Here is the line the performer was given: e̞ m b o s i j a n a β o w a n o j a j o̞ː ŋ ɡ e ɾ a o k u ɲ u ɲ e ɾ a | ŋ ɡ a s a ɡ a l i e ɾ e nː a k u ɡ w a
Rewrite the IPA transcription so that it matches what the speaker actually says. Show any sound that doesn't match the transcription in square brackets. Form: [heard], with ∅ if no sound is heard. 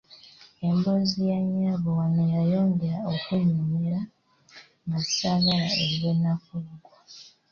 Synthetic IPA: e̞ m b o [z] i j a [ɲ] a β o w a n o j a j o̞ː ŋ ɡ e ɾ a o k u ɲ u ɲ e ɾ a | ŋ ɡ a s a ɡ a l [a] e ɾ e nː a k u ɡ w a